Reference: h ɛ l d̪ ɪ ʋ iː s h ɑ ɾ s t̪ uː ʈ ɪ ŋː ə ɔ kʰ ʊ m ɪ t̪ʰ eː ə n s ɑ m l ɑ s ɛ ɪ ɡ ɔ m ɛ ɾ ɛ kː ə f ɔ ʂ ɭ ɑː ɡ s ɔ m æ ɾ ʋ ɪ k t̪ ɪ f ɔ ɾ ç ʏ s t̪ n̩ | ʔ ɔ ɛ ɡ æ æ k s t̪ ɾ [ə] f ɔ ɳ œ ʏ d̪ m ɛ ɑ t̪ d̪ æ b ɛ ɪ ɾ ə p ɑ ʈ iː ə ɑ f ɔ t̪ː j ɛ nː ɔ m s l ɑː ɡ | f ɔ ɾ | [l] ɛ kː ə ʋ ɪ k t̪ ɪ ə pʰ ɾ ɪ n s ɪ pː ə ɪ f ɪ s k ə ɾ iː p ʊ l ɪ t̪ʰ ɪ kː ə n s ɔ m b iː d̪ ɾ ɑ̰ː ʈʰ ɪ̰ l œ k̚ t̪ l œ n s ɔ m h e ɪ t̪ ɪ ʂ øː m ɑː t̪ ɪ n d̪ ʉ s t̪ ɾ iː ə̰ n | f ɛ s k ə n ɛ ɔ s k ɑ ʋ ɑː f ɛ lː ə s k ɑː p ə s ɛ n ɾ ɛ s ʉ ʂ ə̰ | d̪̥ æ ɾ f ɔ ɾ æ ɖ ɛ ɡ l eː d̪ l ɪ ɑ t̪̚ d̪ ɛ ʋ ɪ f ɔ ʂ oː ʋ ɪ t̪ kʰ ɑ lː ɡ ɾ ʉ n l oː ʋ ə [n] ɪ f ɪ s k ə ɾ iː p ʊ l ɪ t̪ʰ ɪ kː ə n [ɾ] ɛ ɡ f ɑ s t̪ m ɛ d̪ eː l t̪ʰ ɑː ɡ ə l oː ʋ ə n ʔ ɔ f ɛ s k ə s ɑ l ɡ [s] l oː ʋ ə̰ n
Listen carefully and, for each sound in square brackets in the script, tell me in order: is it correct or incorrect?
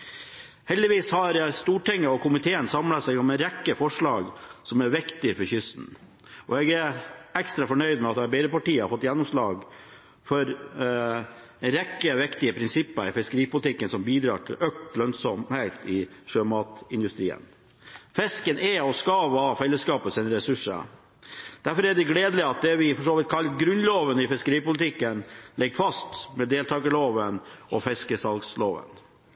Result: incorrect, incorrect, correct, incorrect, correct

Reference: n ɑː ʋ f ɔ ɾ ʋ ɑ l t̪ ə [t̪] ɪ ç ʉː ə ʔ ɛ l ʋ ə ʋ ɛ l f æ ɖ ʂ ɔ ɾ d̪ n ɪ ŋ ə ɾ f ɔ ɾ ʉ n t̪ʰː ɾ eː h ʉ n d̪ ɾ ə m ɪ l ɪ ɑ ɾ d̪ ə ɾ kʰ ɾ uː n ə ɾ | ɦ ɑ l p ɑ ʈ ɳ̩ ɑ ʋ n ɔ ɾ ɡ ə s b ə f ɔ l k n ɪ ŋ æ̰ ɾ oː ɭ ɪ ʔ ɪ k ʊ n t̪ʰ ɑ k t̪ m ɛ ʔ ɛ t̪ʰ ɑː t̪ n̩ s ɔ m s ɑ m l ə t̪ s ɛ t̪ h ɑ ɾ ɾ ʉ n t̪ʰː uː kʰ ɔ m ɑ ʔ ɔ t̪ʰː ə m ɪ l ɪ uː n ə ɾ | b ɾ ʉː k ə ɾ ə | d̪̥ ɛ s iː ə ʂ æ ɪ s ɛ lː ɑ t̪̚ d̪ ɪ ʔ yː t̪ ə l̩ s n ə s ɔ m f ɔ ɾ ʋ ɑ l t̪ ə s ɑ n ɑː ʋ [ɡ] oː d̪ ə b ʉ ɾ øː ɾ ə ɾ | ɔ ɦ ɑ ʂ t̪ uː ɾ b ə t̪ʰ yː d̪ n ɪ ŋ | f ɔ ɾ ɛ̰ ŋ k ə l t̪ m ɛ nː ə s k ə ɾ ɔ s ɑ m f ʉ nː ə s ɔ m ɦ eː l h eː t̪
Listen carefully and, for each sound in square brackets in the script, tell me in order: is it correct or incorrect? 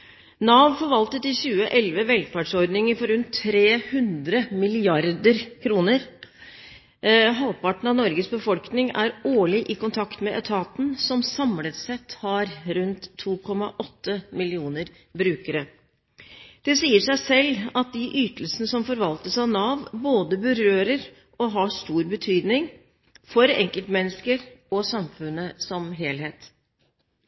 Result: correct, incorrect

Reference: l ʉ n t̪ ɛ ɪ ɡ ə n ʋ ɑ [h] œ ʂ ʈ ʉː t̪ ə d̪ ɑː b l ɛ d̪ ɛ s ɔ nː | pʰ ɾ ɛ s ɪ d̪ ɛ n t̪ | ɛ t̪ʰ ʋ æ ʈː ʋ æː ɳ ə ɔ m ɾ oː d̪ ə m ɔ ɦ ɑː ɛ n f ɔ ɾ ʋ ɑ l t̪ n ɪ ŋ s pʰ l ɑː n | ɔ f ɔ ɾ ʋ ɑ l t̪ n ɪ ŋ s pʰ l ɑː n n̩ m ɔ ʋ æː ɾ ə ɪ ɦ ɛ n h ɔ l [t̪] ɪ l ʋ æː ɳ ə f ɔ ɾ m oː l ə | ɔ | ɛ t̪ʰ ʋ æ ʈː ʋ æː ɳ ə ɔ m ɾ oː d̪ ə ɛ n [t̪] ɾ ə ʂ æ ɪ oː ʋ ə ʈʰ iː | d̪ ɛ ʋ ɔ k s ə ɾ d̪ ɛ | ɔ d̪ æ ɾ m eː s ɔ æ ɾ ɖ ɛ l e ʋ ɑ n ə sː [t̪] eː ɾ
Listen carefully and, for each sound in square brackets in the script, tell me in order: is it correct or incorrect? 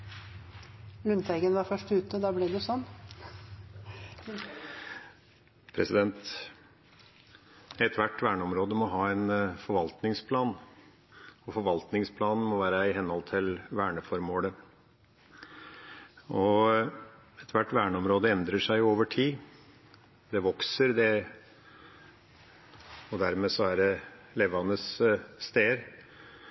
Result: incorrect, incorrect, incorrect, correct

